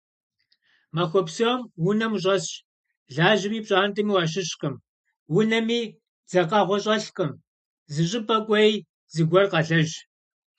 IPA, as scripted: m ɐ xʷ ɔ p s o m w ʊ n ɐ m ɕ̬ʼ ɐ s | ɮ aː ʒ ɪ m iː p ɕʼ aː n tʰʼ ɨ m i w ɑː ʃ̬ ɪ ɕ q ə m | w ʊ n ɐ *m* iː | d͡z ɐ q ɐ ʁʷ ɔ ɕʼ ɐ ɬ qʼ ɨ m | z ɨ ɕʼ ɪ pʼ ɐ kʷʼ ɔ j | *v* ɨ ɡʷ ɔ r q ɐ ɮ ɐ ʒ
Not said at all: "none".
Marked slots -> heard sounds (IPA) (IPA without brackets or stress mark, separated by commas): m, z